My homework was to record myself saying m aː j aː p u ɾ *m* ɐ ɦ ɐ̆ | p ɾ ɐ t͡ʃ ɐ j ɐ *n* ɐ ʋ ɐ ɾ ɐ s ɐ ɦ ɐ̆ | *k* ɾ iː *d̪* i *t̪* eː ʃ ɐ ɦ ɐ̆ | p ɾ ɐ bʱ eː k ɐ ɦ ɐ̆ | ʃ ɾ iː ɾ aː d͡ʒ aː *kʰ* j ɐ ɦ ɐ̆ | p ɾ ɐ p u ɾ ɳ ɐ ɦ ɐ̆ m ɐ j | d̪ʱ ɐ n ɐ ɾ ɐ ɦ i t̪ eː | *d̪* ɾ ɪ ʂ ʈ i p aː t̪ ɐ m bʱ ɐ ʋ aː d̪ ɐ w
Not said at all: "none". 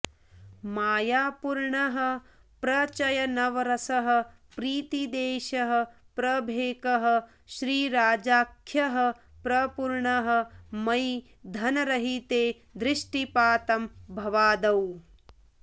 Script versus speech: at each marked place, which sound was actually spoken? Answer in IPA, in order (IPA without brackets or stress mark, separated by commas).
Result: ɳ, n, p, t̪, d̪, kʰ, d̪